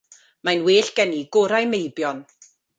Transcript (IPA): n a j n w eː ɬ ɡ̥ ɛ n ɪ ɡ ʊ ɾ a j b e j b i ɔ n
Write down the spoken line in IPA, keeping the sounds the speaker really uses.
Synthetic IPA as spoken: m a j n w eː ɬ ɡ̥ ɛ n i ɡ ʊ ɾ a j m e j b j ɔ n